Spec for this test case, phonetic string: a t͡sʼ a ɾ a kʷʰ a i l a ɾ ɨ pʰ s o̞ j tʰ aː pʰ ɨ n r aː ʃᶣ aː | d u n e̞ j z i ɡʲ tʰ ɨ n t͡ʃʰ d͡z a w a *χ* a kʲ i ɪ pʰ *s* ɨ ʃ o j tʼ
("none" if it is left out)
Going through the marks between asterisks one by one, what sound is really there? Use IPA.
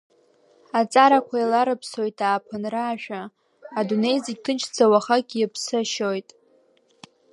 χ, s

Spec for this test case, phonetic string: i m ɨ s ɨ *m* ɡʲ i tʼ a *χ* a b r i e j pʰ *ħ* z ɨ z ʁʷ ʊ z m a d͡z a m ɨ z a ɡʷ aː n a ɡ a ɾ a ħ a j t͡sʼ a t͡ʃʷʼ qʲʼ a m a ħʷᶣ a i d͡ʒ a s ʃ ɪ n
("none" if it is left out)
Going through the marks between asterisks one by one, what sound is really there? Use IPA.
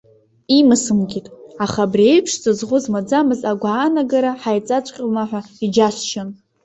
m, χ, ʂ

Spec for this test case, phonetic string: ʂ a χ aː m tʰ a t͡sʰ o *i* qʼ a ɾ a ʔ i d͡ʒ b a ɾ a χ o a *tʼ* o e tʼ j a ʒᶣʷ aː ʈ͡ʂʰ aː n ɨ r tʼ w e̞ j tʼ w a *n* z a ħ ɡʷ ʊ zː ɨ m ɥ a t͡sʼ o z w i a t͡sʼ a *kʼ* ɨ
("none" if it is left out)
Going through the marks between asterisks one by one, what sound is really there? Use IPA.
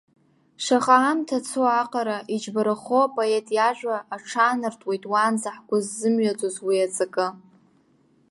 a, pʼ, n, kʼ

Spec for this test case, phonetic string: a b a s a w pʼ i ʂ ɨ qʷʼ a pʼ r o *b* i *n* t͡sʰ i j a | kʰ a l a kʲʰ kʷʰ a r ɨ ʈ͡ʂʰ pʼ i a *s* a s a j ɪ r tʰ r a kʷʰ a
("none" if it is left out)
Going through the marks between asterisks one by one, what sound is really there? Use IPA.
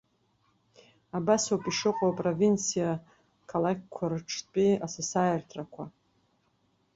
v, n, s

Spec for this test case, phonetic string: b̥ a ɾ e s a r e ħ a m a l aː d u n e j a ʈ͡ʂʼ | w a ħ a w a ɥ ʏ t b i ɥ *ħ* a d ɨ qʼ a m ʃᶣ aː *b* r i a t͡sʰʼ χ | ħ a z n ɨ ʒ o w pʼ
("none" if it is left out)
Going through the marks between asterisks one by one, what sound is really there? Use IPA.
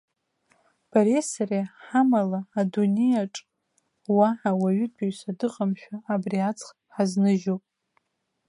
s, b

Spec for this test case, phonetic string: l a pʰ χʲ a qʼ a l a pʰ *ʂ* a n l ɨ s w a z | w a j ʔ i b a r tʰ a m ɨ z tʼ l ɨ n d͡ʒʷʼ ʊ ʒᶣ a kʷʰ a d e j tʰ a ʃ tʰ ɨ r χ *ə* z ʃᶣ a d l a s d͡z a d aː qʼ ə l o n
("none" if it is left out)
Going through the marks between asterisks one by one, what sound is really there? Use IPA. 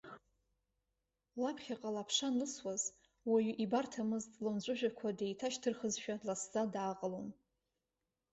ʂ, ə

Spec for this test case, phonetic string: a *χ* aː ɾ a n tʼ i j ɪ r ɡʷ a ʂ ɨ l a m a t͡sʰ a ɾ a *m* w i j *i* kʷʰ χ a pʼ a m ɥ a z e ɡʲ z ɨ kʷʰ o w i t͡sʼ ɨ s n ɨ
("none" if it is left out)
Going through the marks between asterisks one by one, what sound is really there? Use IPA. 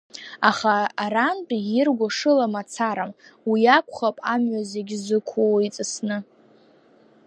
χ, m, a

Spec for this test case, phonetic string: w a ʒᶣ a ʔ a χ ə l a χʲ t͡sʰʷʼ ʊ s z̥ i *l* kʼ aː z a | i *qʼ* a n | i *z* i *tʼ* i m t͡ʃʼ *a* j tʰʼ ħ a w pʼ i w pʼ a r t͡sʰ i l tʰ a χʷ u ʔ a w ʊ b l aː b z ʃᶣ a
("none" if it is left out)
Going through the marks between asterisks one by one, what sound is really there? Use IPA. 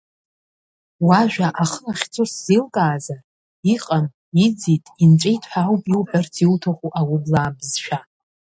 l, qʼ, d͡z, tʼ, e

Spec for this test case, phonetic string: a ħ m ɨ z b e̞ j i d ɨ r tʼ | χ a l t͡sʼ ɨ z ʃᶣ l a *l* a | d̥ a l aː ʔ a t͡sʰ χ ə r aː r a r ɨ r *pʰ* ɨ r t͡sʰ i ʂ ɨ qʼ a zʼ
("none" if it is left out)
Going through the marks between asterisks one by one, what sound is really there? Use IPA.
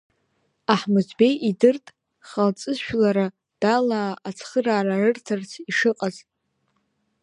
ɾ, tʰ

